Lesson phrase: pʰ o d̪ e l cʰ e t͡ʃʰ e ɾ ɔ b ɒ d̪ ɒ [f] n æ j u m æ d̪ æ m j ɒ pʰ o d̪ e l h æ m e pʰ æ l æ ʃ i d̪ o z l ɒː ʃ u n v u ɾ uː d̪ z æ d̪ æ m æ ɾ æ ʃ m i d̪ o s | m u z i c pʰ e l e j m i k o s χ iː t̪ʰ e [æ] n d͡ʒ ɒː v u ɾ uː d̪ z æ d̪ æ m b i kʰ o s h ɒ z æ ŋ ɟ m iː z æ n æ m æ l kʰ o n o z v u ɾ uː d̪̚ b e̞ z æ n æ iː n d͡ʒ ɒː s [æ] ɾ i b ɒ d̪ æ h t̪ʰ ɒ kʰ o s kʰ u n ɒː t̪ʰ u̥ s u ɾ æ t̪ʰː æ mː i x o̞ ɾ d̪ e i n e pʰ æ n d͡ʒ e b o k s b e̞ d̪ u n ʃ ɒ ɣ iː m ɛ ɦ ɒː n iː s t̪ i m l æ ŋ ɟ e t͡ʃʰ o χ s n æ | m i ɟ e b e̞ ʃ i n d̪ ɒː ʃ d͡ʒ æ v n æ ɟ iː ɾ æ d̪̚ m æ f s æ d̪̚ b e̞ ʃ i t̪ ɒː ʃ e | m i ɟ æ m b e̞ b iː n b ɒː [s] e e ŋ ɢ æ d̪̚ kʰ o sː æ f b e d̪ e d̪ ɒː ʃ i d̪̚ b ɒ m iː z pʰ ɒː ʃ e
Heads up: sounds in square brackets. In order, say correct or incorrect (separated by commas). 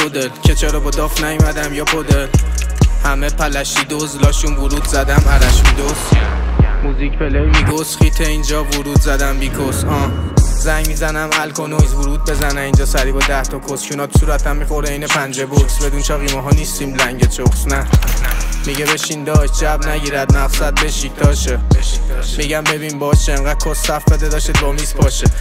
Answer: correct, incorrect, correct, incorrect